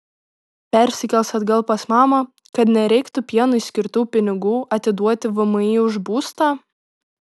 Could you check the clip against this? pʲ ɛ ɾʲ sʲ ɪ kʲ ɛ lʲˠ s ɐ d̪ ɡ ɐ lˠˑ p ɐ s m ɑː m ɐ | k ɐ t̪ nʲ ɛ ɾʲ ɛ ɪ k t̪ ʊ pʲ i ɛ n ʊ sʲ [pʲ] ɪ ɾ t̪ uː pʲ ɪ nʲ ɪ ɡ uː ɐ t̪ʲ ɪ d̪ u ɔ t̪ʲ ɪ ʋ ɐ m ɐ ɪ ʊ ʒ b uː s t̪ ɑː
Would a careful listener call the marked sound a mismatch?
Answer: yes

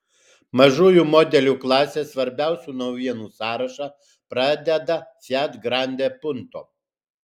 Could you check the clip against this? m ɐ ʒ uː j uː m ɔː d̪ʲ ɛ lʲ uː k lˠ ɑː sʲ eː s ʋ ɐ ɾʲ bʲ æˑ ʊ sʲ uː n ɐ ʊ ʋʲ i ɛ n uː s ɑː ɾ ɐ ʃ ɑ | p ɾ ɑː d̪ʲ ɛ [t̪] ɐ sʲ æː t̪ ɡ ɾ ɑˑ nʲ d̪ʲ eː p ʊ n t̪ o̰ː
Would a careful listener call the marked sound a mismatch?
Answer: yes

